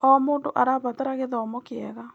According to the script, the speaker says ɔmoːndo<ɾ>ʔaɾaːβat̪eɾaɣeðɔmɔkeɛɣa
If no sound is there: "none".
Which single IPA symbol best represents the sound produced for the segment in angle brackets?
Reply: none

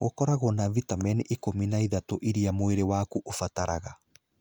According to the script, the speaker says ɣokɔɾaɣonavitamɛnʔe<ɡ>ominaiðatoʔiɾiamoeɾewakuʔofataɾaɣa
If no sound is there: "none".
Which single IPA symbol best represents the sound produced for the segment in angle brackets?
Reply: k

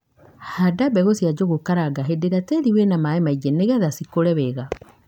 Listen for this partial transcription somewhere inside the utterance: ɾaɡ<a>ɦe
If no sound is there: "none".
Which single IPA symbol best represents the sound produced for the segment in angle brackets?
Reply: a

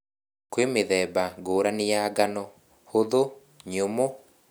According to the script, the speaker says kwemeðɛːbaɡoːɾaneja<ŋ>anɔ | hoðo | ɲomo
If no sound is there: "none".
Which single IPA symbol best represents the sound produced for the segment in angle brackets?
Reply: ɡ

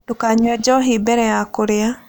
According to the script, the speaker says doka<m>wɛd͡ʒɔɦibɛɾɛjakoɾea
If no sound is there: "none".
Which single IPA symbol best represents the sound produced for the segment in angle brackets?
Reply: ɲ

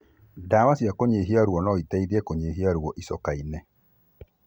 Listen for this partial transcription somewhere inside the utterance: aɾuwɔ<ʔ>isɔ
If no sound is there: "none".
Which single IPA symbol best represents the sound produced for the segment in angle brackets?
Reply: ʔ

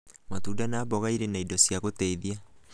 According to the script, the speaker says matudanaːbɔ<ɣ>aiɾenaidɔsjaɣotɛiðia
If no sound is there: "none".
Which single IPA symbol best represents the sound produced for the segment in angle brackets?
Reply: ɣ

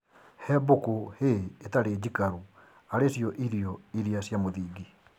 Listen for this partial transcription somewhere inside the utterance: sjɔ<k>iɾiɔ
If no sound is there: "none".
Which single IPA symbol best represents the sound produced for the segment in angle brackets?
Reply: ʔ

